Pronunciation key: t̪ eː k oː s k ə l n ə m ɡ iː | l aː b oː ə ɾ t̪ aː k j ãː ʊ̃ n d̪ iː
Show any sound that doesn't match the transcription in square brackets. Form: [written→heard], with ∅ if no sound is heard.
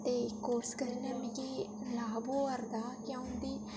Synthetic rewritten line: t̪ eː k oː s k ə [l→ɾ] n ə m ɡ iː | l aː b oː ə ɾ [t̪→d̪] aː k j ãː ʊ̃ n d̪ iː